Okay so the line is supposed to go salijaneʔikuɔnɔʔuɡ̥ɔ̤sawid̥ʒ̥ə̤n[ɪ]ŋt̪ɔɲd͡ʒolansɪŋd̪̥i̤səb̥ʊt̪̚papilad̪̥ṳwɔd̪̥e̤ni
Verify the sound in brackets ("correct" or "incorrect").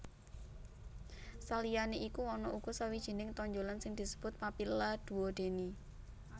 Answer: correct